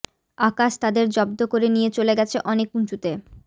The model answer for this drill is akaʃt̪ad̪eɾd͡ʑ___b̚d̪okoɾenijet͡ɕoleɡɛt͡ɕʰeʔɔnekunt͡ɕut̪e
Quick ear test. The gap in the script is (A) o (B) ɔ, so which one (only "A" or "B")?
B